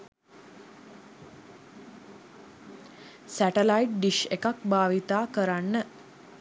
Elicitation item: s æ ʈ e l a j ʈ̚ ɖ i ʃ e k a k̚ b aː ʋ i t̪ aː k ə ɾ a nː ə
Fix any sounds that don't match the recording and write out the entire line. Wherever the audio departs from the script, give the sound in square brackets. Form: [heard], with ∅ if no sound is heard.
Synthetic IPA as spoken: s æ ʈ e l a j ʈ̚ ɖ i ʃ e k a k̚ b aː ʋ i t̪ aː k ə ɾ a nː ə